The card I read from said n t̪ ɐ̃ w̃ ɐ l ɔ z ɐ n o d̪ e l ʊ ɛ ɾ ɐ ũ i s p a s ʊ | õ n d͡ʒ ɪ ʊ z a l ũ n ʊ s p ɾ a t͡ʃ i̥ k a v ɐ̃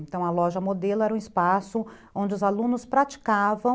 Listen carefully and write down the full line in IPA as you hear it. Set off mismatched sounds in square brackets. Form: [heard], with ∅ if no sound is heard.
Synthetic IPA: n t̪ ɐ̃ w̃ ɐ l ɔ [ʒ] ɐ [m] o d̪ e l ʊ ɛ ɾ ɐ ũ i s p a s ʊ | õ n d͡ʒ ɪ ʊ z a l ũ n ʊ s p ɾ a t͡ʃ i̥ k a v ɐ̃